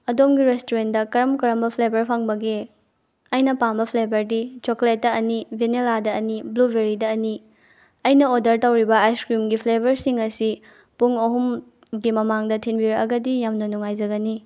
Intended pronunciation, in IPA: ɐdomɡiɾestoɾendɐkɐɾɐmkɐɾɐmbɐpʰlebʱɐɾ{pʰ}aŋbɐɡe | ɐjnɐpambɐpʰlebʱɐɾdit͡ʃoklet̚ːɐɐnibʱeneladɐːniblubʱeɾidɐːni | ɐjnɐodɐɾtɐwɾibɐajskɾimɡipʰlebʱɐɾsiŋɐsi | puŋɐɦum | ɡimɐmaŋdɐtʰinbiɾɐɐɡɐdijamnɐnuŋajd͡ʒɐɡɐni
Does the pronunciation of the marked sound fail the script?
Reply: no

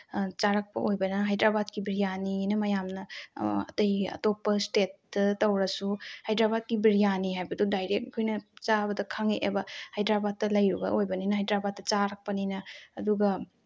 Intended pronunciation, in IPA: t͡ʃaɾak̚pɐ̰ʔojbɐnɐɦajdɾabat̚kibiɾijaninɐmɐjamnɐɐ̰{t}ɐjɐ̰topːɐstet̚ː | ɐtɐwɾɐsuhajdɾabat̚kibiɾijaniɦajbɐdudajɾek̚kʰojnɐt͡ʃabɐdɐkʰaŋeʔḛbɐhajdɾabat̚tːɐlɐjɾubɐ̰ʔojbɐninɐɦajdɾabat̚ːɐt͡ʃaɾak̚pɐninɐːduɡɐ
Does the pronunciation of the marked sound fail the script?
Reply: no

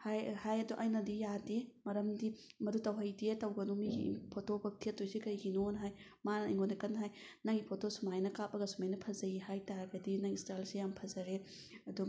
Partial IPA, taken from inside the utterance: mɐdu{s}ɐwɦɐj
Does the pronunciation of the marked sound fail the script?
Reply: yes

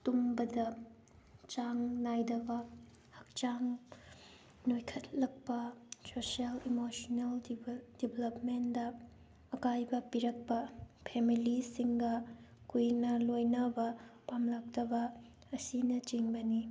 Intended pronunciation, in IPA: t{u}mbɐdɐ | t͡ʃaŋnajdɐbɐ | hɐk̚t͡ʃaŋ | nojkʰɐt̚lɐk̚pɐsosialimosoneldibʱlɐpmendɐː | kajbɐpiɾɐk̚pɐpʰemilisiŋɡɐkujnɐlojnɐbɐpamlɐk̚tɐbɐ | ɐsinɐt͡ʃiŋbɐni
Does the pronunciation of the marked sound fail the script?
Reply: no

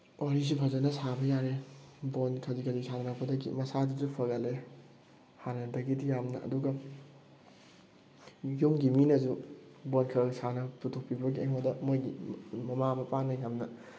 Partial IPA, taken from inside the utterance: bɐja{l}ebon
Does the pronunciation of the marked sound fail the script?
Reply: yes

